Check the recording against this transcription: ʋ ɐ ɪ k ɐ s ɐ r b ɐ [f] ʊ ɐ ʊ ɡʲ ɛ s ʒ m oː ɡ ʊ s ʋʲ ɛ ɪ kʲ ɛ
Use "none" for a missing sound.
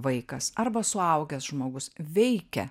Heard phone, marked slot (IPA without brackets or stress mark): s